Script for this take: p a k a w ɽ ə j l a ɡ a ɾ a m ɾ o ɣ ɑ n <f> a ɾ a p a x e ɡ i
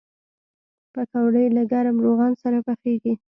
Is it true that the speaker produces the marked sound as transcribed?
no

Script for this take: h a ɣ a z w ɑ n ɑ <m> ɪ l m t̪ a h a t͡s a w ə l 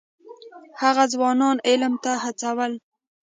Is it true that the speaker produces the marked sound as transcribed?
no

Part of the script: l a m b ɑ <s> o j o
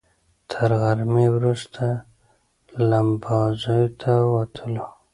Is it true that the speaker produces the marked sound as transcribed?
no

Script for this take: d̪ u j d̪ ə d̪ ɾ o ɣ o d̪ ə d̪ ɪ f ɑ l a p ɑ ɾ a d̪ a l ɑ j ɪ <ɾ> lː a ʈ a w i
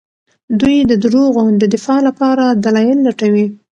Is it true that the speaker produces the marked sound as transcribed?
no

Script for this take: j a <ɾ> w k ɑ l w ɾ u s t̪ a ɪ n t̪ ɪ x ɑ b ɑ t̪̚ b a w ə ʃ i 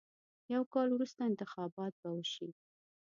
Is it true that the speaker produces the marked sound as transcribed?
no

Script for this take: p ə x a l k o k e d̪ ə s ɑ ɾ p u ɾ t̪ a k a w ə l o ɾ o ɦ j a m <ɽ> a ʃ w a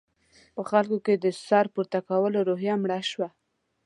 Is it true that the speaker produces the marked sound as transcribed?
yes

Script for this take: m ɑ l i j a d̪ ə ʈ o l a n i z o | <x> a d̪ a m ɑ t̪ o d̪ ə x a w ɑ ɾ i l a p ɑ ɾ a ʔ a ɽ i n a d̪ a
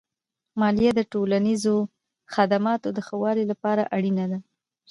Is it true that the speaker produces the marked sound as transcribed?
yes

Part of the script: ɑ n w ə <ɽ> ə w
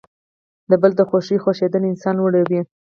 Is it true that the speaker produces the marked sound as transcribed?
yes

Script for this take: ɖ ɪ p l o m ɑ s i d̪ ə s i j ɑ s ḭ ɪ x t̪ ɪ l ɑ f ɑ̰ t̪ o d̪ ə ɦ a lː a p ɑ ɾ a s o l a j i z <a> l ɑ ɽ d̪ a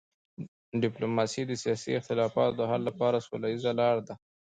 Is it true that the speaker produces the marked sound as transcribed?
yes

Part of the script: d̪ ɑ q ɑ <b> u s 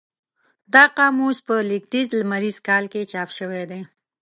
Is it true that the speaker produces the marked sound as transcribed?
no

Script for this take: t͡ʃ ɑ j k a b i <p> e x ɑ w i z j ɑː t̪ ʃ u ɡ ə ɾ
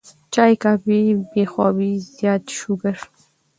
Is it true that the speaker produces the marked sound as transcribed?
no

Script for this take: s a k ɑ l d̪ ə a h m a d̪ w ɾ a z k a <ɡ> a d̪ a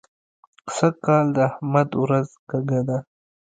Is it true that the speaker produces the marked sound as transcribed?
yes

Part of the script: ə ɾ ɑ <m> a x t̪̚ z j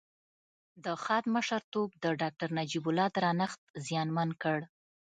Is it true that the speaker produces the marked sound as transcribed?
no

